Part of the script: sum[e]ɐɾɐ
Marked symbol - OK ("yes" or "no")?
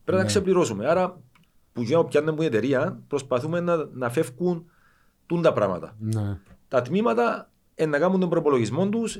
yes